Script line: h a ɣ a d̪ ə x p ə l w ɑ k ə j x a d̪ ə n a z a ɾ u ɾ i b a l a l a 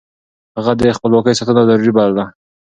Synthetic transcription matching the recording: h a ɣ a d̪ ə x p ə l w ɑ k ə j s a t̪ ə n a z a ɾ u ɾ i b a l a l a